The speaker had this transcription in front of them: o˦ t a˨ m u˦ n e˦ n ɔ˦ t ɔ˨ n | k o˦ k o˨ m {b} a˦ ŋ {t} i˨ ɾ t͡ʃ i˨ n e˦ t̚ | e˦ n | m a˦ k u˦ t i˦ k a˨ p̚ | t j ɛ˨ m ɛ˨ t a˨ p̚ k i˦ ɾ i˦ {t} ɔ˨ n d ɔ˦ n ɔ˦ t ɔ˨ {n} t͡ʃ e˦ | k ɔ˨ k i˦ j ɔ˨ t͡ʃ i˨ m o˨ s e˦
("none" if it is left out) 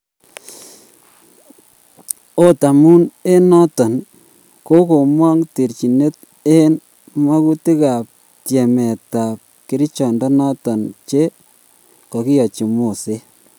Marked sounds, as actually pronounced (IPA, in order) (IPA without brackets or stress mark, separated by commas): w, t, t͡ʃ, n